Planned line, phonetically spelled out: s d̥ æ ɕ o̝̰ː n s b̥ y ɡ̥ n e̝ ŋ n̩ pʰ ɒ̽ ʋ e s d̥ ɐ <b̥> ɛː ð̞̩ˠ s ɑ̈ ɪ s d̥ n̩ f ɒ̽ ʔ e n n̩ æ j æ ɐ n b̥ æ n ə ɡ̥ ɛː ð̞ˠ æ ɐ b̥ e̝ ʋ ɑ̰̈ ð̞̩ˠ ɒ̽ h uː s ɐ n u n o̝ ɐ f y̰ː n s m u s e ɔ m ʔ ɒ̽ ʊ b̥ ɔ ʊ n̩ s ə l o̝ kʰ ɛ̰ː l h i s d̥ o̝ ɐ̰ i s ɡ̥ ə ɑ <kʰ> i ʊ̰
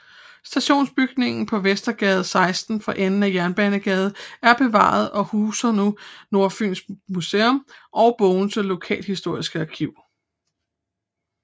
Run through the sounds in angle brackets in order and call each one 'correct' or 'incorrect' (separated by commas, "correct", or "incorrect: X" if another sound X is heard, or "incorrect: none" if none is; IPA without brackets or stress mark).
incorrect: ɡ̥, correct